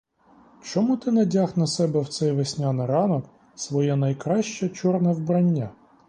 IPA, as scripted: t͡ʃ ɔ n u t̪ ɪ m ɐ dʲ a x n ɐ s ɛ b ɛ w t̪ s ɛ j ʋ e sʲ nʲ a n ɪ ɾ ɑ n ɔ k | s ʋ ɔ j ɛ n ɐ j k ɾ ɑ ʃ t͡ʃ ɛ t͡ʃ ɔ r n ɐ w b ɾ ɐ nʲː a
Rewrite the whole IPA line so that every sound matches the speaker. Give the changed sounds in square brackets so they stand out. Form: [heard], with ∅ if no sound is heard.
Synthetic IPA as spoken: t͡ʃ ɔ [m] u t̪ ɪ [n] ɐ dʲ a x n ɐ s ɛ b ɛ w t̪ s ɛ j ʋ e sʲ nʲ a n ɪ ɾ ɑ n ɔ k | s ʋ ɔ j ɛ n ɐ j k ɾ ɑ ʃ t͡ʃ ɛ t͡ʃ ɔ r n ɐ w b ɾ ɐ nʲː a